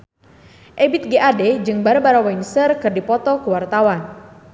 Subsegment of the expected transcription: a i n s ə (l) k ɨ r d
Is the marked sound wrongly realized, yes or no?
yes